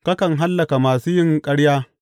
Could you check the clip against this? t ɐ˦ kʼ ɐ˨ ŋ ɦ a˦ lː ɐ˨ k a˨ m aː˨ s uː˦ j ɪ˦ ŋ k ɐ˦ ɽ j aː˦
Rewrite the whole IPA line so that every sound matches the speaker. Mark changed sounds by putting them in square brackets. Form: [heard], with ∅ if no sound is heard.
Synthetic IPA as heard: [k] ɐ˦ [k] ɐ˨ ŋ ɦ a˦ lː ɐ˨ k a˨ m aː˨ s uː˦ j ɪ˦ ŋ [kʼ] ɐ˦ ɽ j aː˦